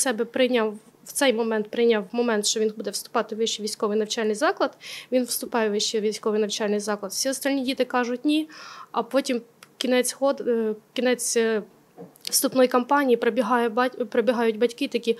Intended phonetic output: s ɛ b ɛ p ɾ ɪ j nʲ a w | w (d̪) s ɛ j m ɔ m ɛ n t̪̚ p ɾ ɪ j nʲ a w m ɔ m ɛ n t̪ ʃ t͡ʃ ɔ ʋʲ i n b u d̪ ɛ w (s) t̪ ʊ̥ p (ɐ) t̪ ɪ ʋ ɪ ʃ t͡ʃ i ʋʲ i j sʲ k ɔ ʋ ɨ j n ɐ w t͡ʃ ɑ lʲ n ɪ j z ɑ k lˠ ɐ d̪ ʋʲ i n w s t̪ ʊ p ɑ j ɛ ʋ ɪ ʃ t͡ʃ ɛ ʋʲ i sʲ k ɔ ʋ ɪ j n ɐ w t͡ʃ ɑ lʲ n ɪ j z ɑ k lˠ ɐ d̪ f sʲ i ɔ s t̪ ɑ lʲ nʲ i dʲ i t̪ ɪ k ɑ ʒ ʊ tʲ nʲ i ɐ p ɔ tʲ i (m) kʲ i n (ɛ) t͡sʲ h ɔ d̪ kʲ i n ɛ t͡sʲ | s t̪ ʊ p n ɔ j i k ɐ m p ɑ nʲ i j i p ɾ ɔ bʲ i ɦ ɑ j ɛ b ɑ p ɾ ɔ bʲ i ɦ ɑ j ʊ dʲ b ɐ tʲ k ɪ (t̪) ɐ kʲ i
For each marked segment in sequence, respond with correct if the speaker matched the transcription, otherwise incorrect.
incorrect: t̪, correct, incorrect: ɑ, correct, correct, correct

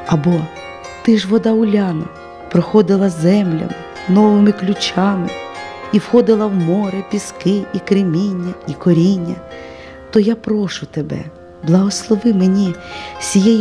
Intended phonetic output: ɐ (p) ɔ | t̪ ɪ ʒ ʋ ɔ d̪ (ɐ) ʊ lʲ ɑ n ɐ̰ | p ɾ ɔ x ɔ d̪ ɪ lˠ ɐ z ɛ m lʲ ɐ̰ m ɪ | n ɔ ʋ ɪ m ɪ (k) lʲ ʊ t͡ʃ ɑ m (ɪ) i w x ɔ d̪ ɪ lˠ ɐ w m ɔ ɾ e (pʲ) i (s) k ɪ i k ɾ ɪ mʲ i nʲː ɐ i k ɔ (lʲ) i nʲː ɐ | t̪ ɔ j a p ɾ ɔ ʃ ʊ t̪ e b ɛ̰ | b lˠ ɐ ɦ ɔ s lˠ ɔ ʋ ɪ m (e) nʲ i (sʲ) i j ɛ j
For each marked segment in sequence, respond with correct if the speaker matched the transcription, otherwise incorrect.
incorrect: b, incorrect: ɑ, correct, correct, correct, correct, incorrect: ɾʲ, correct, correct

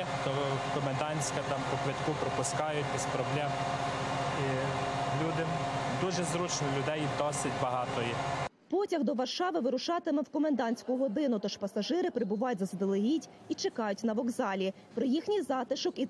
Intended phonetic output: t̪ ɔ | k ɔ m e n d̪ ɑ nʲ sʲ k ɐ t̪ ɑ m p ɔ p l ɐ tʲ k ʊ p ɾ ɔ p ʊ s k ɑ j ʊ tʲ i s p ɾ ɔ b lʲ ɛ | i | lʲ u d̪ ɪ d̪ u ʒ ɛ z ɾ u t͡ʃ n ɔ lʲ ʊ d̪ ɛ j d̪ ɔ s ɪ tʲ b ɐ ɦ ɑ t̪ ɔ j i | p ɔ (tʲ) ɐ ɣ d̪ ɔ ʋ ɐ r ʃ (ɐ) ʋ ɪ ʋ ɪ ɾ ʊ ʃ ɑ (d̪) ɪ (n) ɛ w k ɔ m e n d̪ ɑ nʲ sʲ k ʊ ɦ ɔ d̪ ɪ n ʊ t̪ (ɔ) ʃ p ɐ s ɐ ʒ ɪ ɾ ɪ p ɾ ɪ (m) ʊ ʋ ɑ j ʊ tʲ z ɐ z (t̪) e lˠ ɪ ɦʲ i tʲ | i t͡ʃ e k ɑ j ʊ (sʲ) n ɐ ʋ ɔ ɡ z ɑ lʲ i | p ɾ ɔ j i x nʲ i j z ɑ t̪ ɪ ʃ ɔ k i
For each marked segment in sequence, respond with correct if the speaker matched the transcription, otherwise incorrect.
correct, incorrect: ɑ, incorrect: t̪, incorrect: m, correct, incorrect: b, incorrect: d̪, incorrect: tʲ

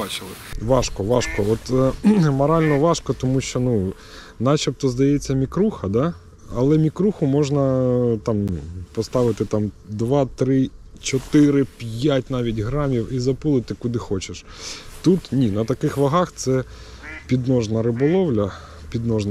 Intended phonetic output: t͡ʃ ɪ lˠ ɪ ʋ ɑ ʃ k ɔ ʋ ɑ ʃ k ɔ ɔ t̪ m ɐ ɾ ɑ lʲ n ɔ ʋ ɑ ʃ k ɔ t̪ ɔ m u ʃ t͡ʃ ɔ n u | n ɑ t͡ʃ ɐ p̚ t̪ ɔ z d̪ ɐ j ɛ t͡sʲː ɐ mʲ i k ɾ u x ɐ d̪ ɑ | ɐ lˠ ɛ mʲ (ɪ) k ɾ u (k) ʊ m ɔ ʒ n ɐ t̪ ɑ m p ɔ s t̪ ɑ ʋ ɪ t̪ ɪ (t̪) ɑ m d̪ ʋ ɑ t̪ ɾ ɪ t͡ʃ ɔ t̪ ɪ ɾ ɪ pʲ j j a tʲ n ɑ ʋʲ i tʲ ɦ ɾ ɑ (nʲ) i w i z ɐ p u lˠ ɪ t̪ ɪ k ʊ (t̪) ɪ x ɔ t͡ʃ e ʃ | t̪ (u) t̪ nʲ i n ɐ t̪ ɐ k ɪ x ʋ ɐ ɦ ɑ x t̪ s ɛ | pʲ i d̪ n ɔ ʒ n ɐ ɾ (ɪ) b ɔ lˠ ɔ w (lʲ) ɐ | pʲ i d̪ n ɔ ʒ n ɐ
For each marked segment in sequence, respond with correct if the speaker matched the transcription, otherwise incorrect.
incorrect: i, incorrect: x, correct, incorrect: mʲ, incorrect: d̪, correct, correct, correct

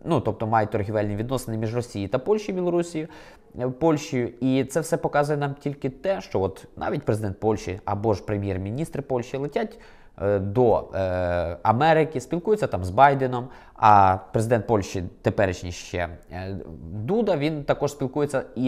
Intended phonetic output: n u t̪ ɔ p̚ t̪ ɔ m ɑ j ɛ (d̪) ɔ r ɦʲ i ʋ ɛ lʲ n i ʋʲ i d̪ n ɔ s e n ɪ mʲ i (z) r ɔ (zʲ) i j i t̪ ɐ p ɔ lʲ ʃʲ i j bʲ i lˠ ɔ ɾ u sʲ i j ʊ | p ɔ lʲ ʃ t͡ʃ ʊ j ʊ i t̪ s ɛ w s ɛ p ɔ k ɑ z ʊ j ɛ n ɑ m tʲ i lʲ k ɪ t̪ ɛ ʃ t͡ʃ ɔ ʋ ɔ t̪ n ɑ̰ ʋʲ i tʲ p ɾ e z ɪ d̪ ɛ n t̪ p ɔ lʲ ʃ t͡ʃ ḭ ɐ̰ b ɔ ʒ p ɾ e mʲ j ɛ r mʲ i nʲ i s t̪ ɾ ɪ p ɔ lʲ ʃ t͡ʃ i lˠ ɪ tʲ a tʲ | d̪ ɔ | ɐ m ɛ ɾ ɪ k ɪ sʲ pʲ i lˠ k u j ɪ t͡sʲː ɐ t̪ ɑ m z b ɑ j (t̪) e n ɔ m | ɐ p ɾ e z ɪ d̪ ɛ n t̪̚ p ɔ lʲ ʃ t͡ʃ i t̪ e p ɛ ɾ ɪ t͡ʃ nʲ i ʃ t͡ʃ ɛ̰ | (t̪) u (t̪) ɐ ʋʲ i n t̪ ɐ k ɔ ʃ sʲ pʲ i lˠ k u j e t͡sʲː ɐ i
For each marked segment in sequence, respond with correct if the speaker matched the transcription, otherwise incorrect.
incorrect: t̪, incorrect: ʒ, incorrect: sʲ, incorrect: d̪, incorrect: d̪, incorrect: d̪

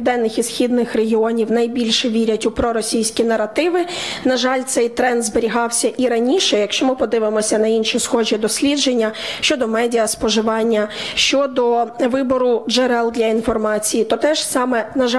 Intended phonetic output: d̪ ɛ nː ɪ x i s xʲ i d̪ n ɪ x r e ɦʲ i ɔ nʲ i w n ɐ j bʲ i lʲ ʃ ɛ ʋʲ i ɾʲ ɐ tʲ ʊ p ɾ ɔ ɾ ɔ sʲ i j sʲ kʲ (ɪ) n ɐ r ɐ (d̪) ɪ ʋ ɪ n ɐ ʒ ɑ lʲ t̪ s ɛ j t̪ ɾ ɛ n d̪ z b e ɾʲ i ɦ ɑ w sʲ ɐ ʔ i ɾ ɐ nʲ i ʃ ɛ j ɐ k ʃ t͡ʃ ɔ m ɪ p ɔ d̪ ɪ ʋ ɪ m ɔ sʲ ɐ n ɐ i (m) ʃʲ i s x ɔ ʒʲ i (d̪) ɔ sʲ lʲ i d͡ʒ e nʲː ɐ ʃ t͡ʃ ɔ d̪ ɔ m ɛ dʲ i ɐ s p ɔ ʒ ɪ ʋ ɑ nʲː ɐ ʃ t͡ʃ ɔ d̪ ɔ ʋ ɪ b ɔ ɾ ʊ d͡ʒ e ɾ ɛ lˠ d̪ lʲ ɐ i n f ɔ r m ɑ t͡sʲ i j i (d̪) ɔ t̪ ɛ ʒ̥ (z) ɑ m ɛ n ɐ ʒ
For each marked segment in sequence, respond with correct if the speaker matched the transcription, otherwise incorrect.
incorrect: i, incorrect: t̪, incorrect: n, correct, incorrect: t̪, incorrect: s

